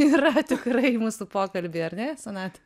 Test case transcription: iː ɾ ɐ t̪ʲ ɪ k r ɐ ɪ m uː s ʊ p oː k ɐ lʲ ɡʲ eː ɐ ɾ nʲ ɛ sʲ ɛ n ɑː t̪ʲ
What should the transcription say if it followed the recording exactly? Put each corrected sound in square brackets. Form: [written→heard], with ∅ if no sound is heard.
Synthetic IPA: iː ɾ ɐ t̪ʲ ɪ k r ɐ ɪ m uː s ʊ p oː k ɐ lʲ [ɡʲ→bʲ] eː ɐ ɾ nʲ ɛ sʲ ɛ n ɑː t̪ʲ